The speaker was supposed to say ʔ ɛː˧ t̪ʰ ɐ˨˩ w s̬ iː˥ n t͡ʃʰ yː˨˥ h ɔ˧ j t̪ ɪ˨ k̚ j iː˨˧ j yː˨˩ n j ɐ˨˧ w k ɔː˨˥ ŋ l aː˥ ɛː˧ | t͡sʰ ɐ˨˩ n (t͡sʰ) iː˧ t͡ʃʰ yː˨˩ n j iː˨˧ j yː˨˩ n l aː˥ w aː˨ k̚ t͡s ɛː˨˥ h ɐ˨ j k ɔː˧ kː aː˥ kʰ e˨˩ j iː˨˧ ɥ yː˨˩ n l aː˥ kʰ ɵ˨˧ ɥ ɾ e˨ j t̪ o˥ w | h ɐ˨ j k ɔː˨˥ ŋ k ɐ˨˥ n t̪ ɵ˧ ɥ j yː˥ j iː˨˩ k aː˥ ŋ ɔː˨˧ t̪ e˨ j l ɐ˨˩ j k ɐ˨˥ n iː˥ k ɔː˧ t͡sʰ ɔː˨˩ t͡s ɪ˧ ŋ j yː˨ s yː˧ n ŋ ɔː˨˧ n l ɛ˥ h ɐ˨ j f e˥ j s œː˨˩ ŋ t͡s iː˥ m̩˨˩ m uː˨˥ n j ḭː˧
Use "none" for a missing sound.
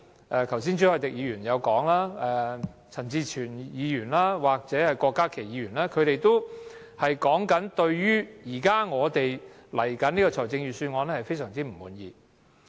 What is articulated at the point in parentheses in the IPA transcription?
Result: t͡s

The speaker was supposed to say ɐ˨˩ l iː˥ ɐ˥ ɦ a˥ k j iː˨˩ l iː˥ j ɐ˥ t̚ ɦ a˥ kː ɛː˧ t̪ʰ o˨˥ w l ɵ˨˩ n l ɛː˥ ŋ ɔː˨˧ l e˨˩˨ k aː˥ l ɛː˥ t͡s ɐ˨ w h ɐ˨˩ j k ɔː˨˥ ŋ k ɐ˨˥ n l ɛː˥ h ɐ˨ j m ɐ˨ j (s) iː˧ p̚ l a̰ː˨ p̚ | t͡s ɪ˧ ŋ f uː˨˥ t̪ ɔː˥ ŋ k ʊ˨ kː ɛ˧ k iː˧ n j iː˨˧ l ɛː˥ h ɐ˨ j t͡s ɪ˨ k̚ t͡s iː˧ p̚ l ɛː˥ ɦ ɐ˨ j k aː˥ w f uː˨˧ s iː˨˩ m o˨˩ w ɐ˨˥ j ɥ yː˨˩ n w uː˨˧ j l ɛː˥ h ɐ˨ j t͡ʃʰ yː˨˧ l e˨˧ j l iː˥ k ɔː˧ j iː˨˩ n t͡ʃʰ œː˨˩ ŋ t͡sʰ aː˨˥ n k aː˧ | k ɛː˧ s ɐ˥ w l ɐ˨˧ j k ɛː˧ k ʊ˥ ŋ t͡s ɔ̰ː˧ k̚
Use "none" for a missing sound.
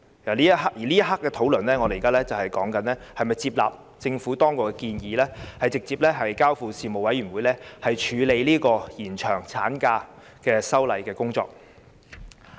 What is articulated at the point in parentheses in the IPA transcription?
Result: t͡s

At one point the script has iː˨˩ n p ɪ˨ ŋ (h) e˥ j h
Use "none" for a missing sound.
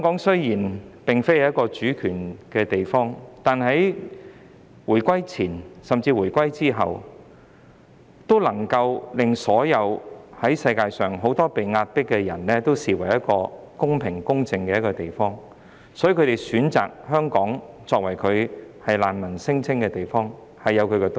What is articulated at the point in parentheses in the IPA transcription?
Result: f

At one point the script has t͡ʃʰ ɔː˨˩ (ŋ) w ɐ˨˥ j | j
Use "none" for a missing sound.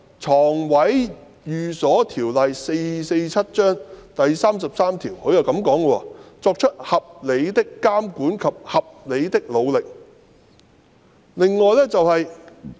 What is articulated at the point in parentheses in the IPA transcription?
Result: ŋ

